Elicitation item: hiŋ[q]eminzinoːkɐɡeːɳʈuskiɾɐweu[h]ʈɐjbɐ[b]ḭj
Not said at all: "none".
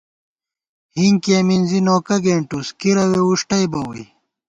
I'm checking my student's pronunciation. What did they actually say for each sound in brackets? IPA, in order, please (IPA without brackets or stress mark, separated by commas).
k, ʂ, w